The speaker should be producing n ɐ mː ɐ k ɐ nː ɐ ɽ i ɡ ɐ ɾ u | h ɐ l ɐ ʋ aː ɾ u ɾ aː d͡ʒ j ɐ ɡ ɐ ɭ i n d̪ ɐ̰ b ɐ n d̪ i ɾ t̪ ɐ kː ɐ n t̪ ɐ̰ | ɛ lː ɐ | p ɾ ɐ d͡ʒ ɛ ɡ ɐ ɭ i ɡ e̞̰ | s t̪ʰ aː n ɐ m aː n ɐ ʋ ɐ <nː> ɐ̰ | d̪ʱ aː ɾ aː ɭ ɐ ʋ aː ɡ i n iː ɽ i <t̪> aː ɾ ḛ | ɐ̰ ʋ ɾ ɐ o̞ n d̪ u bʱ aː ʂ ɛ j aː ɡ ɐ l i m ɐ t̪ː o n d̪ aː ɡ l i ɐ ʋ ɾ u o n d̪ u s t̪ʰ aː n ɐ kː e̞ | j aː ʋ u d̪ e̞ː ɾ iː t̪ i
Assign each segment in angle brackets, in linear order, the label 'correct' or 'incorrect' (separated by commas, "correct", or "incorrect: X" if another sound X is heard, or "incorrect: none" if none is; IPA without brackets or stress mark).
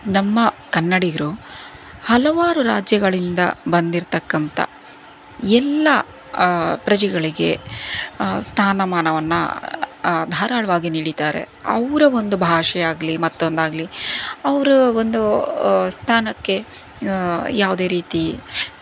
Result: correct, correct